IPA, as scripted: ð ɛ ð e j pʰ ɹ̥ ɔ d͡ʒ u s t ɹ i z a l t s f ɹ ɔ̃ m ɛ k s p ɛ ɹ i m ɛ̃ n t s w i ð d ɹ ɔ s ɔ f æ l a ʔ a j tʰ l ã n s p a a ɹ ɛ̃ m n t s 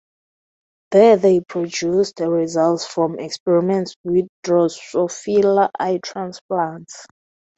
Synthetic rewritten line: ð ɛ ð e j pʰ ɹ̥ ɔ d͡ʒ u s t ɹ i z a l t s f ɹ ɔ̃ m ɛ k s p ɛ ɹ i m ɛ̃ n t s w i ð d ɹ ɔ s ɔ f i l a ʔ a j tʰ ɹ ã n s p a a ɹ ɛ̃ n t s